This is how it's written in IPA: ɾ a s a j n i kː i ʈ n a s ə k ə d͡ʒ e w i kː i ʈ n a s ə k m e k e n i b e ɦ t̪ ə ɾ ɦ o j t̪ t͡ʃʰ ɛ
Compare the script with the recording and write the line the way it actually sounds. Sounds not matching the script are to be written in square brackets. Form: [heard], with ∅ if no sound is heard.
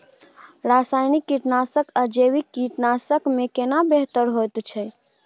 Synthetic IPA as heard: ɾ a s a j n i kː i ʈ n a s ə k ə d͡ʒ e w i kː i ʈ n a s ə k m e k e n [a] b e ɦ t̪ ə ɾ ɦ o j t̪ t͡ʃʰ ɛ